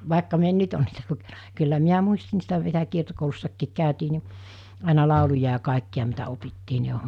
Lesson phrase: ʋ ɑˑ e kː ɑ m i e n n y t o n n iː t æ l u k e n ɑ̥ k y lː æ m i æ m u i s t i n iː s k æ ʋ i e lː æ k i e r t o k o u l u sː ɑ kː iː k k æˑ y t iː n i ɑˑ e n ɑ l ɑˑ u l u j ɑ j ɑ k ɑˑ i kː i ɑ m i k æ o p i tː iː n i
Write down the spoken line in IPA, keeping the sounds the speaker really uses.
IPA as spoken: ʋ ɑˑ e kː ɑ m i e n n y t o n n iː t æ l u k e n ɑ̥ k y lː æ m i æ m u i s t i n iː s t æ ʋ i e l æ k i e r t o k o u l u sː ɑ kː iː k k æˑ y t iː n i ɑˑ e n ɑ l ɑˑ u l u j ɑ j ɑ k ɑˑ i kː i ɑ m i t æ o p i tː iː n i